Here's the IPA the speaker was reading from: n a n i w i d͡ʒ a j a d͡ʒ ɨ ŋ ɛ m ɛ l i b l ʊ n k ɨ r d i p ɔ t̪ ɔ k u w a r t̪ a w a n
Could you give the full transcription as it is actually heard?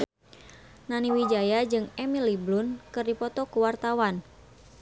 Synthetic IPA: n a n i w i d͡ʒ a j a d͡ʒ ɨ ŋ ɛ m i l i b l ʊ n k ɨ r d i p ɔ t̪ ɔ k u w a r t̪ a w a n